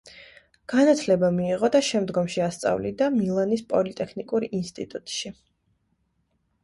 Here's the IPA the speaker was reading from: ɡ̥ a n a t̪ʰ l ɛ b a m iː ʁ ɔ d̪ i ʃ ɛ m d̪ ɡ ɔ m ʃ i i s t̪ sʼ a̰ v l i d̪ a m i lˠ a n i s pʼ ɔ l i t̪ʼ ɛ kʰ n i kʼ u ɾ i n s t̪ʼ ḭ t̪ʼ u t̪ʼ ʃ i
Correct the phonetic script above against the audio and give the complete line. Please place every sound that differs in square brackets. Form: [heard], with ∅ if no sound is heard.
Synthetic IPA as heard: ɡ̥ a n a t̪ʰ l ɛ b a m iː ʁ ɔ d̪ [a] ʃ ɛ m d̪ ɡ ɔ m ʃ i [a] s t̪ sʼ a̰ v l i d̪ a m i lˠ a n i s pʼ ɔ l i t̪ʼ ɛ kʰ n i kʼ u ɾ i n s t̪ʼ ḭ t̪ʼ u t̪ʼ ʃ i